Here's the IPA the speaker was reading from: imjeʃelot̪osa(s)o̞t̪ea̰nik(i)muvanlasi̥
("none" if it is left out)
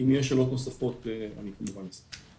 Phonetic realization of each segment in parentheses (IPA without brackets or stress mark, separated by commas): f, a